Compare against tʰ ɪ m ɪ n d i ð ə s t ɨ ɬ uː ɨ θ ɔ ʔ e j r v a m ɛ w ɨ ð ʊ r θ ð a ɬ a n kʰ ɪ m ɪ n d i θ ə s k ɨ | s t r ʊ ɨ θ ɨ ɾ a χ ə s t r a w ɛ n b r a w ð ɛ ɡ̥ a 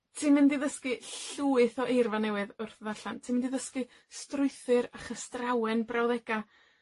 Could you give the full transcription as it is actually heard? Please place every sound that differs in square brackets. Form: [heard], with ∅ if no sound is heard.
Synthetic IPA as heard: tʰ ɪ m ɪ n d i ð ə s [k] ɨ ɬ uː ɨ θ ɔ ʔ e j r v a [n] ɛ w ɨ ð ʊ r θ ð a ɬ a n [tʰ] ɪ m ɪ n d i [ð] ə s k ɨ | s t r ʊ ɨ θ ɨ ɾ a χ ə s t r a w ɛ n b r a w ð ɛ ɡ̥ a